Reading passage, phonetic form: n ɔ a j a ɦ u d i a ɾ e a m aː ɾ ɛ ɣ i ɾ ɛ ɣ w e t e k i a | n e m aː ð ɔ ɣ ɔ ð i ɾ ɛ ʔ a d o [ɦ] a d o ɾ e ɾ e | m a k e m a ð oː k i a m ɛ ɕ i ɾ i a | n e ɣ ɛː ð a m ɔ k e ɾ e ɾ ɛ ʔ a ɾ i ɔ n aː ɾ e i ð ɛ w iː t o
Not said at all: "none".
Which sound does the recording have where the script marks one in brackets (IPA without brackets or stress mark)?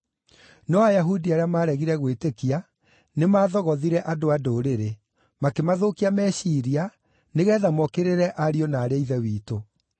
none